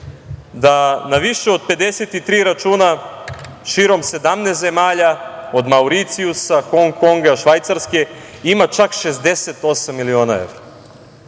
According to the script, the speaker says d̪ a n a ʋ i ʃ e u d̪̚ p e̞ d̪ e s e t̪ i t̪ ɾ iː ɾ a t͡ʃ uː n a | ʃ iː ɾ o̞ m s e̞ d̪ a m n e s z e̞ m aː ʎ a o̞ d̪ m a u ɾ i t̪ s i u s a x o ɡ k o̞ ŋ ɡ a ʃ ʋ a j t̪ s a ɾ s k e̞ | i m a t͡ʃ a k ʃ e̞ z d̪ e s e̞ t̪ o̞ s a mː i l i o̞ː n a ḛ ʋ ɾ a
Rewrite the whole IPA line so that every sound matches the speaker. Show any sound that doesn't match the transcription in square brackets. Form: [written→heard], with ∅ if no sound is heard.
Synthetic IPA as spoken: d̪ a n a ʋ i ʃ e [u→o] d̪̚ p e̞ d̪ e s e t̪ i t̪ ɾ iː ɾ a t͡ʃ uː n a | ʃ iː ɾ o̞ m s e̞ d̪ a m n e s z e̞ m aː ʎ a o̞ d̪ m a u ɾ i t̪ s i u s a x o [ɡ→ŋ] k o̞ ŋ ɡ a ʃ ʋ a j t̪ s a ɾ s k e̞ | i m a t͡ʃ a k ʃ e̞ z d̪ e s e̞ t̪ o̞ s a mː i l i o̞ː n a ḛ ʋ ɾ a